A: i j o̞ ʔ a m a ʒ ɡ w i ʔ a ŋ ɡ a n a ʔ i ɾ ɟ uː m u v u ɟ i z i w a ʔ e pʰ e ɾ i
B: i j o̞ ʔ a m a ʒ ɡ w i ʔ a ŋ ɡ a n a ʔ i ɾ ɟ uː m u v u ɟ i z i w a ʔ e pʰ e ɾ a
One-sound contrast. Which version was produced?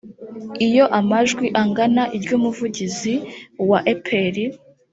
A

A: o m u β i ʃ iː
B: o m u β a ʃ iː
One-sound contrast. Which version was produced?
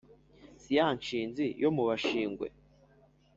B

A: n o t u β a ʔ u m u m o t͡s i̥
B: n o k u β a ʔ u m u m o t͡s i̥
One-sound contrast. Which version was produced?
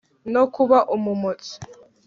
B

